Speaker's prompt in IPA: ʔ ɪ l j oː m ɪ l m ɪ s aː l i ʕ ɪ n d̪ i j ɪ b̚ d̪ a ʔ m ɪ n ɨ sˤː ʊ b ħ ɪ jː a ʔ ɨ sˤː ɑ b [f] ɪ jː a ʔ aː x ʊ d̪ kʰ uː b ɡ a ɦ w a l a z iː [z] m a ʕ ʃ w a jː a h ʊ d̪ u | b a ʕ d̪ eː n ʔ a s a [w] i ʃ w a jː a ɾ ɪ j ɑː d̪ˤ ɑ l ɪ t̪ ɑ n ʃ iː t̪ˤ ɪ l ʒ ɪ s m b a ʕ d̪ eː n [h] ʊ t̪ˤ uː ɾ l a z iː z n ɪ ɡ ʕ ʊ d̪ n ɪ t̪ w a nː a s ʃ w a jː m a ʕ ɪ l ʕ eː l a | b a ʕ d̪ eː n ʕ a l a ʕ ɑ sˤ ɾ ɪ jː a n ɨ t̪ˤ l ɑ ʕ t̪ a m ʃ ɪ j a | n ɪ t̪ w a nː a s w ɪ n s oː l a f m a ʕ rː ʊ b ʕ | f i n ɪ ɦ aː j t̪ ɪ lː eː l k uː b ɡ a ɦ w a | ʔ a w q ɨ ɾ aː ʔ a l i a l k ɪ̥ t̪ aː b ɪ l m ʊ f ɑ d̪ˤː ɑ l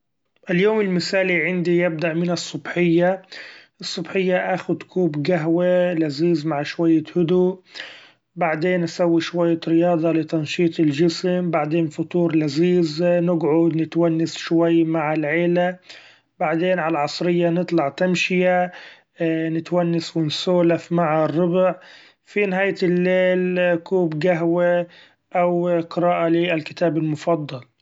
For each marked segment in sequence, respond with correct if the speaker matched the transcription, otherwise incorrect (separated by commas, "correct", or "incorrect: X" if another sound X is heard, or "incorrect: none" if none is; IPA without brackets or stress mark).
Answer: incorrect: ħ, correct, incorrect: wː, incorrect: f